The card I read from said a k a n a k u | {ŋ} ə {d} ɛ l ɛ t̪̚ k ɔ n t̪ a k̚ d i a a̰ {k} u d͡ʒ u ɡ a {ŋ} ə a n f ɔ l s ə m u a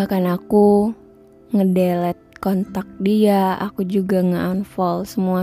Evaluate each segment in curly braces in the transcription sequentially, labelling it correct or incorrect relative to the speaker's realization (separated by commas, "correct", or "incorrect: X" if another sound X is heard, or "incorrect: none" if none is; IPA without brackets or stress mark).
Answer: correct, correct, correct, correct